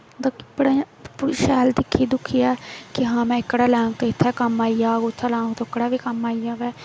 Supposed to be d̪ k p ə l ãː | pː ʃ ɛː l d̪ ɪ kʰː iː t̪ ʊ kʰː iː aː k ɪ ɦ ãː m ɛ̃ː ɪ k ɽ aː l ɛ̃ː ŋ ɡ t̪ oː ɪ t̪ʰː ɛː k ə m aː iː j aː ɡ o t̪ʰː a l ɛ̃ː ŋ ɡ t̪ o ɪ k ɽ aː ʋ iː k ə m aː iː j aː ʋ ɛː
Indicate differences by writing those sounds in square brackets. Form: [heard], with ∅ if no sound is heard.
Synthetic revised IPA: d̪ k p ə [ɽ] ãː | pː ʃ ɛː l d̪ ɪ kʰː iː [d̪] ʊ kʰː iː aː k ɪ ɦ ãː m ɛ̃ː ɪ k ɽ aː l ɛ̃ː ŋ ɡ t̪ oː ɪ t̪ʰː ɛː k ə m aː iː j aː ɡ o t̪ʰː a l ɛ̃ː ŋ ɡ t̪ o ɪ k ɽ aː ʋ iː k ə m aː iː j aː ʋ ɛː